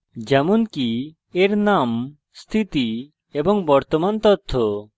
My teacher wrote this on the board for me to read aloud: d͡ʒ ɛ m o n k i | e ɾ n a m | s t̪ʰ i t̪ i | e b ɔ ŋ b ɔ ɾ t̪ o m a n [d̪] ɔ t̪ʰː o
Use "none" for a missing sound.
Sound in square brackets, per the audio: t̪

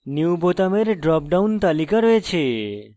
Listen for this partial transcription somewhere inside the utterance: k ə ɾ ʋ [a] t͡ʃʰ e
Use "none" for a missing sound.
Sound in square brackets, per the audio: e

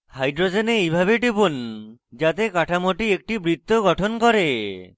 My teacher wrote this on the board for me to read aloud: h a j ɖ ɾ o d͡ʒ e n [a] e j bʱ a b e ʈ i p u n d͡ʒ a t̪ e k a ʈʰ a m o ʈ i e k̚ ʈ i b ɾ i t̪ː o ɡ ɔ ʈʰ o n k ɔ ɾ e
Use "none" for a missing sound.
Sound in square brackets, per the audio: e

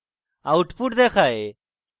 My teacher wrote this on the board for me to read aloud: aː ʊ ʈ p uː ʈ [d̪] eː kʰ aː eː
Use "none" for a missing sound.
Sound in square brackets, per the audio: d̪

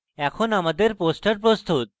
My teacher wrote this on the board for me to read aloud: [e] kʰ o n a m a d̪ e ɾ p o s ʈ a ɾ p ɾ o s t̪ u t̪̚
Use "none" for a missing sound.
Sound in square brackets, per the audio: ɛ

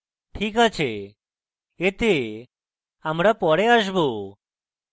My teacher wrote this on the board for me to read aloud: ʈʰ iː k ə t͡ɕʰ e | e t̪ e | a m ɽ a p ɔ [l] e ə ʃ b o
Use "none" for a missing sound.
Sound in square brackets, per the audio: ɽ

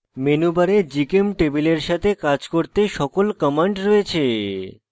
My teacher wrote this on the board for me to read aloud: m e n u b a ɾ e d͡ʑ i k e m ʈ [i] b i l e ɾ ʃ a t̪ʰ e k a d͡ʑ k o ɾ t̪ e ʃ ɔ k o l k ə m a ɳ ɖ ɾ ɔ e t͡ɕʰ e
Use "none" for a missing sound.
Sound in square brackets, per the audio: e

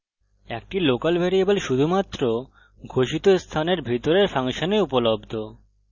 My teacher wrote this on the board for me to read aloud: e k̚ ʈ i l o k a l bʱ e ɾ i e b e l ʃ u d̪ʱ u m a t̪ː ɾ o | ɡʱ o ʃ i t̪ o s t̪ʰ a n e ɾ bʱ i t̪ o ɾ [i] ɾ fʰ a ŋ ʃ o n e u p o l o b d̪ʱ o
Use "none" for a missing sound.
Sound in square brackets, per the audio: e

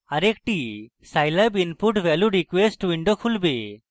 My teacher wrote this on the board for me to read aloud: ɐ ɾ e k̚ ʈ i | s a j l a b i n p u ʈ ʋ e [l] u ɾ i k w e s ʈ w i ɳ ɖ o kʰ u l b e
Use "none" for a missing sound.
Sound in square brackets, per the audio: l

